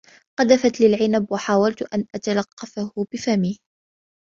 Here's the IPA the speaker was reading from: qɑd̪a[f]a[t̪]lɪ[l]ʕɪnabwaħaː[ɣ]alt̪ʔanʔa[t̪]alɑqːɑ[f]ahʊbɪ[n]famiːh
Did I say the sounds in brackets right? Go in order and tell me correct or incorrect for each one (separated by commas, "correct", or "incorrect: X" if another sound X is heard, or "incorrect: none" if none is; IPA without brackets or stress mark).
correct, correct, correct, incorrect: w, correct, correct, incorrect: none